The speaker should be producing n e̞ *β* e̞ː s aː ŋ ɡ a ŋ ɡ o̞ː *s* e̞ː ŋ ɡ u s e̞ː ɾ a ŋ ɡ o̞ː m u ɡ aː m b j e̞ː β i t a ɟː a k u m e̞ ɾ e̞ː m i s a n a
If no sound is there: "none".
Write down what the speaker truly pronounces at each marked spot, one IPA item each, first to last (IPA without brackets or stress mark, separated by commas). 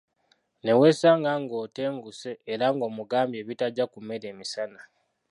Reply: w, t